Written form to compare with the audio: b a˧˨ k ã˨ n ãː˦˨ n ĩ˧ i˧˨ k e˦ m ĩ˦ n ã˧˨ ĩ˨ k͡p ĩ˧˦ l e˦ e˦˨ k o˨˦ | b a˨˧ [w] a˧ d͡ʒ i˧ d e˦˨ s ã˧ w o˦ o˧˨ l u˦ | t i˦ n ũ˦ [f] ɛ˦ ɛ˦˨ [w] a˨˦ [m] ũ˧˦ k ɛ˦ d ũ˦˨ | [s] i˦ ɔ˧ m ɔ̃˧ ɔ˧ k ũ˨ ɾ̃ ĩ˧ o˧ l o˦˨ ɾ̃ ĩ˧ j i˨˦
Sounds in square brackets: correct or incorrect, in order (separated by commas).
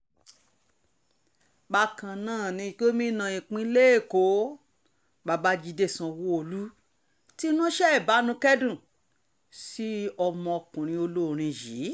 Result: incorrect, incorrect, incorrect, incorrect, correct